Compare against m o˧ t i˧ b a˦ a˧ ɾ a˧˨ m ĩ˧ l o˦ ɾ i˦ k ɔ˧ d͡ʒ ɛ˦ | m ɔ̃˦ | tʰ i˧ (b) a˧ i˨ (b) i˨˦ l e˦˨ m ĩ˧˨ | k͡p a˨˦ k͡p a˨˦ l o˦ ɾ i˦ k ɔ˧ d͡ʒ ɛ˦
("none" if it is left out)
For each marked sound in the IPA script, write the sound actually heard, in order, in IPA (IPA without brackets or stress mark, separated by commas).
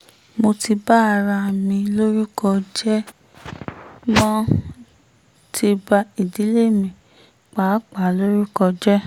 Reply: b, d